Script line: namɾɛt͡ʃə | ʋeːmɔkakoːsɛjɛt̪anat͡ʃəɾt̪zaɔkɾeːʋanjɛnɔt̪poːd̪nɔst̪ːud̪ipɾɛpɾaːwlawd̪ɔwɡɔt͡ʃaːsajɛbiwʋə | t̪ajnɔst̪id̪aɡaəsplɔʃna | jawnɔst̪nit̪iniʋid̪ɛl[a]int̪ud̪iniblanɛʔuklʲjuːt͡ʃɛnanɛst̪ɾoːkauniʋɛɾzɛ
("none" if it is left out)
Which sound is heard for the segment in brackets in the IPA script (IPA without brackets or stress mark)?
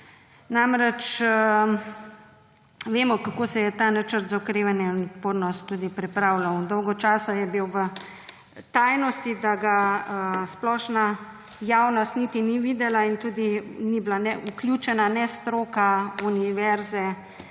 a